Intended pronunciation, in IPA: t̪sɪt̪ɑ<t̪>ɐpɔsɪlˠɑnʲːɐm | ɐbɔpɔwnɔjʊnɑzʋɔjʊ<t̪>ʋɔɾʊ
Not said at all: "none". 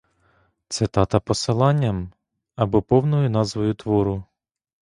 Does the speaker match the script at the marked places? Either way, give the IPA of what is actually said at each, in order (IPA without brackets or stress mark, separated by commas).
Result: t̪, t̪